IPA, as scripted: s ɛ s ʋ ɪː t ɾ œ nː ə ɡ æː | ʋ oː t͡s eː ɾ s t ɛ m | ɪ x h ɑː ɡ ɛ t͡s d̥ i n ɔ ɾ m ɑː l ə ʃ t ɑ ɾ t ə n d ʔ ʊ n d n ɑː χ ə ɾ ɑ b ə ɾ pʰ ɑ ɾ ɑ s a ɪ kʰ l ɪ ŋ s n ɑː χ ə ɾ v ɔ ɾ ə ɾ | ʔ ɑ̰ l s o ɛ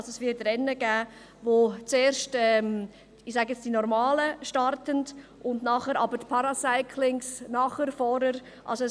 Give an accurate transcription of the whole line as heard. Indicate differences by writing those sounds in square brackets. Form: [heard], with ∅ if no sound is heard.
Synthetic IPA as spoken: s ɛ s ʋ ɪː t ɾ [ɛ] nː ə ɡ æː | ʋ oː t͡s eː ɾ [ʃ] t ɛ m | ɪ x [s] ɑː ɡ ɛ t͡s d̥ i n ɔ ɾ m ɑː l ə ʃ t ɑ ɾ t ə n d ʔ ʊ n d n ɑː χ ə ɾ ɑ b ə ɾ pʰ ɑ ɾ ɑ s a ɪ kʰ l ɪ ŋ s n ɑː χ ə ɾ [f] ɔ ɾ ə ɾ | ʔ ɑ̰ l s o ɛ